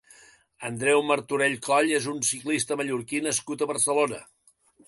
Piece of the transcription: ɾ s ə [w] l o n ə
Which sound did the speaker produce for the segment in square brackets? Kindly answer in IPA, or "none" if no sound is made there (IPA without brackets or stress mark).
none